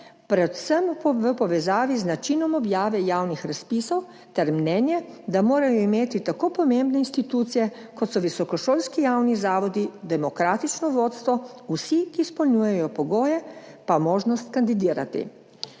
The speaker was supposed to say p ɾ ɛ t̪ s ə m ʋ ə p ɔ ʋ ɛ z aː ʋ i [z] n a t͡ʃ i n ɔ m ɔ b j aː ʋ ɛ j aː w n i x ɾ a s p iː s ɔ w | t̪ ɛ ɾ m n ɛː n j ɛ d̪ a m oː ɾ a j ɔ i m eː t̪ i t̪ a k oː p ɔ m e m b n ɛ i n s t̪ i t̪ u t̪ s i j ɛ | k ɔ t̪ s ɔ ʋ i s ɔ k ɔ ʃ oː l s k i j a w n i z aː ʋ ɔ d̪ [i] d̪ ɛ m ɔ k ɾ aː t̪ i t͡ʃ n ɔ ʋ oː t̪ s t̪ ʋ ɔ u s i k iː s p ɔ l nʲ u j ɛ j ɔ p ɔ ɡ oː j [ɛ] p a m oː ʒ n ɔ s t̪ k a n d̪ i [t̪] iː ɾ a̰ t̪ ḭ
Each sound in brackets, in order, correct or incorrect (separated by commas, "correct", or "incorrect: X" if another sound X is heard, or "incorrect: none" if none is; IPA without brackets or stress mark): correct, correct, correct, incorrect: d̪